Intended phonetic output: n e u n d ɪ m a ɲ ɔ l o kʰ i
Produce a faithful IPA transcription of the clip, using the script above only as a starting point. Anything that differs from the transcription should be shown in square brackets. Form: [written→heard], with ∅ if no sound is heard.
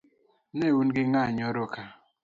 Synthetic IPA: n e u n [d→ɡ] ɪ [m→ŋ] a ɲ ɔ [l→ɾ] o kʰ [i→a]